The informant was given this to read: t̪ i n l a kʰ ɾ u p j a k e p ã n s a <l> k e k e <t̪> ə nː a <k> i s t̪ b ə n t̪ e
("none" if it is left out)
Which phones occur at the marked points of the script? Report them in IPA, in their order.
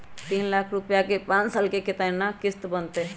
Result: l, t̪, k

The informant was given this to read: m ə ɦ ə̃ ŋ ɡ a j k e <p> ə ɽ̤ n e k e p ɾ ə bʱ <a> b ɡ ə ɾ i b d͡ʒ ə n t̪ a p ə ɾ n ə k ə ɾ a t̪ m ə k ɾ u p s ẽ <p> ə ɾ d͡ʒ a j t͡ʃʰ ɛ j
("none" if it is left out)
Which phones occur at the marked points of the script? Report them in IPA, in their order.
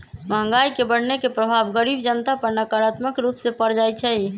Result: b, a, p

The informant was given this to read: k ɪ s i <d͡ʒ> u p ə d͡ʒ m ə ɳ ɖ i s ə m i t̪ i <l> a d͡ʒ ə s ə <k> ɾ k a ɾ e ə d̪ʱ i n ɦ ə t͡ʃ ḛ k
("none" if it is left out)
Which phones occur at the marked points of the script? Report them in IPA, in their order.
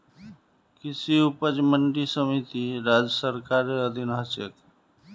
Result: none, ɾ, none

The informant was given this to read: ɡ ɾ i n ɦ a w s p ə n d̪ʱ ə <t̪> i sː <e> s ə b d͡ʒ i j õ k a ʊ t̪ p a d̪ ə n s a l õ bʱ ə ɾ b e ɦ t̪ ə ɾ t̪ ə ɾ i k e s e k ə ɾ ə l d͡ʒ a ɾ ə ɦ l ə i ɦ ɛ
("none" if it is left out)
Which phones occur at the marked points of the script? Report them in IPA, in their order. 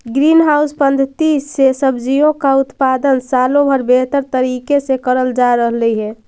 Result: t̪, e

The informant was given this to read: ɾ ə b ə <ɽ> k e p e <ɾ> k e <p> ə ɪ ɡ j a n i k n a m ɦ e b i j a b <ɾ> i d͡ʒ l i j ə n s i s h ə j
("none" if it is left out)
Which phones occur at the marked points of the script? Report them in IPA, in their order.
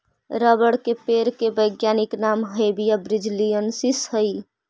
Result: ɽ, ɾ, b, ɾ

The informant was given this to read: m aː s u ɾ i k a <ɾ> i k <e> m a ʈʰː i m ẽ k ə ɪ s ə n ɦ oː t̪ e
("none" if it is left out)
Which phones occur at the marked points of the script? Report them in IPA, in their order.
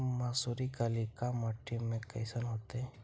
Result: l, a

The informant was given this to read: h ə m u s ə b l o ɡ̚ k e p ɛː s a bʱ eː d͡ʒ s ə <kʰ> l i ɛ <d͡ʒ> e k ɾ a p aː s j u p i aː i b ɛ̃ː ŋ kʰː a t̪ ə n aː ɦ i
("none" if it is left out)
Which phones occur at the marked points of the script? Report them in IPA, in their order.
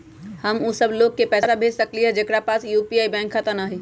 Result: k, d͡ʒ

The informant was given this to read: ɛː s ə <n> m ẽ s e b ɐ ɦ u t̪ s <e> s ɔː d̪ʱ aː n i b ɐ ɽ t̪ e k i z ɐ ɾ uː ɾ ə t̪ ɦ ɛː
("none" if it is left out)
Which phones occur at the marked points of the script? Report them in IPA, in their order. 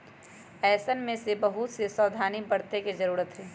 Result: n, e

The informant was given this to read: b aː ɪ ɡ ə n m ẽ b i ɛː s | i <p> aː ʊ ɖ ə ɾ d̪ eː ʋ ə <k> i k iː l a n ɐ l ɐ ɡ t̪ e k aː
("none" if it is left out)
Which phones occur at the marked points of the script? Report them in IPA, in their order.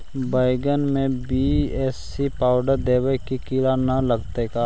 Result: p, k

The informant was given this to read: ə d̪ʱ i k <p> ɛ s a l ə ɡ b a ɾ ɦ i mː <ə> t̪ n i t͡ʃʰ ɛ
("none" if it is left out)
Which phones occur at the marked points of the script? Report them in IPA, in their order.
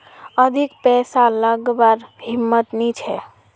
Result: p, ə

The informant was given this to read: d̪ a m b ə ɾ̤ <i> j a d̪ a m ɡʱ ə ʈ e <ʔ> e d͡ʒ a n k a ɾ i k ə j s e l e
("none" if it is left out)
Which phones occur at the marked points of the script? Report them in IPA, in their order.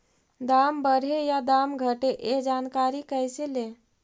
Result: e, ʔ

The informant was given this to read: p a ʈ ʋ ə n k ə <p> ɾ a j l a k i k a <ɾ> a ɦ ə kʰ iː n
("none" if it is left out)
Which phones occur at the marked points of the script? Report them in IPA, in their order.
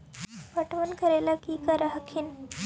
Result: none, ɾ

